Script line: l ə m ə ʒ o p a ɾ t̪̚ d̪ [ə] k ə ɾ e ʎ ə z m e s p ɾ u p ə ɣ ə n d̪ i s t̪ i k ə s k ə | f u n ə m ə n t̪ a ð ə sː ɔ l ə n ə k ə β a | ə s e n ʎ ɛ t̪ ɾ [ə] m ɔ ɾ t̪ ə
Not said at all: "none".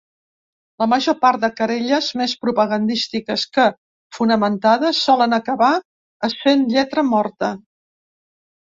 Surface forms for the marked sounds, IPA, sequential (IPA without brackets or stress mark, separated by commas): ə, ə